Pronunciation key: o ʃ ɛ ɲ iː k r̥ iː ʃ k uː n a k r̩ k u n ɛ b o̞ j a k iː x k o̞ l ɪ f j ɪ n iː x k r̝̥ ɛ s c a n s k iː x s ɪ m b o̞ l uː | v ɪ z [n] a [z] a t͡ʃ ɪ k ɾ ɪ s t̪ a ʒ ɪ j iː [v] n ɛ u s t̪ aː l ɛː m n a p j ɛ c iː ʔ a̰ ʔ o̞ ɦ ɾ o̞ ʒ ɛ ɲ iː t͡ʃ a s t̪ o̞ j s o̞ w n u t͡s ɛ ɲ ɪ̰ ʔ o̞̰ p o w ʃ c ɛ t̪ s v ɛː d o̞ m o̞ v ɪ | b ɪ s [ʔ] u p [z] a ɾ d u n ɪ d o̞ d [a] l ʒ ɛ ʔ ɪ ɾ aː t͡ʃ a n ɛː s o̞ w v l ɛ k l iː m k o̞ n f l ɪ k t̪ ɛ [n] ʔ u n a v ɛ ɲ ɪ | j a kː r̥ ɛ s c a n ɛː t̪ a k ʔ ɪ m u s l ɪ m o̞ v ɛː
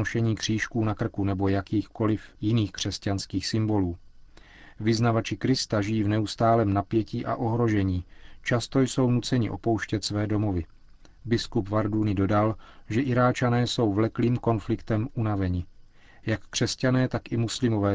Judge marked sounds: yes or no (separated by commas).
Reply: yes, no, yes, no, no, yes, no